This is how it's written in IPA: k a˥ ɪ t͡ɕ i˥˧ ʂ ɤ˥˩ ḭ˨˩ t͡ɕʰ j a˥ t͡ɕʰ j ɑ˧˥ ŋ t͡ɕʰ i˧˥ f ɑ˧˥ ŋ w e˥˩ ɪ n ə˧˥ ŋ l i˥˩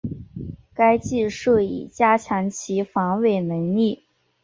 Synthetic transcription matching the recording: k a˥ ɪ t͡ɕ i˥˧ ʂ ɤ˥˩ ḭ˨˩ t͡ɕ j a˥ t͡ɕʰ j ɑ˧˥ ŋ t͡ɕʰ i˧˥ f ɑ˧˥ ŋ w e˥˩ ɪ n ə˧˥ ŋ l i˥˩